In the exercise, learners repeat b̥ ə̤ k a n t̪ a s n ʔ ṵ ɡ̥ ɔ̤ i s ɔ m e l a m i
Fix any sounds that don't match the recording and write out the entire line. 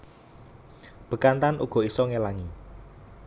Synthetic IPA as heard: b̥ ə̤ k a n t̪ a n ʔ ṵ ɡ̥ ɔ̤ i s ɔ ŋ e l a ŋ i